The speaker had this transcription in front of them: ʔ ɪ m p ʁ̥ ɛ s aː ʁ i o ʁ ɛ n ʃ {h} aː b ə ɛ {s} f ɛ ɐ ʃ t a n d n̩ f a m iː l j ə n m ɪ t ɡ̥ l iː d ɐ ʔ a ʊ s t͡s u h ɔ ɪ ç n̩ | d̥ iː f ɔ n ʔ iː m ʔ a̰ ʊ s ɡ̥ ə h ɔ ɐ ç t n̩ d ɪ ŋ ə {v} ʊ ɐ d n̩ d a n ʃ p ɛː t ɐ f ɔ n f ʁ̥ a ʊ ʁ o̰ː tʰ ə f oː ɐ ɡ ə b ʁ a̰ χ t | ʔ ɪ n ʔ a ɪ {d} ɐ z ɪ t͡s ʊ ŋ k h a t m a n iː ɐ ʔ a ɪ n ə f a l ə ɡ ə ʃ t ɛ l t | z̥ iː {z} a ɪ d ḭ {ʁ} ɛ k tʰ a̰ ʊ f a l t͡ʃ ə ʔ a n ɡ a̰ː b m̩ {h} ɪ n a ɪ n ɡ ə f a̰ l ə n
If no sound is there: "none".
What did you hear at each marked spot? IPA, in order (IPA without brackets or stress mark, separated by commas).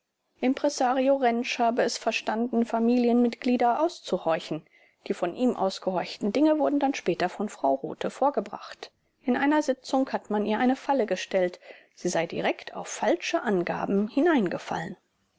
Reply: h, s, v, n, z, ʁ, h